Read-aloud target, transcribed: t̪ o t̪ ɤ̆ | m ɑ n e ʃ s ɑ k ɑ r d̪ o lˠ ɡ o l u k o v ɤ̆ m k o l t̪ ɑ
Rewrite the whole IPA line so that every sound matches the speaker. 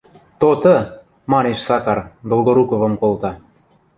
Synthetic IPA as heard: t̪ o t̪ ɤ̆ | m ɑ n e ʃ s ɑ k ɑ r d̪ o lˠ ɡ o ɾ u k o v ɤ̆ m k o l t̪ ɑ